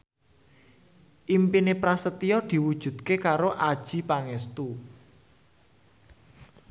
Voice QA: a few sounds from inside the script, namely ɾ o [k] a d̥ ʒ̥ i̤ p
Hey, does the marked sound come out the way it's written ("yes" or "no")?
no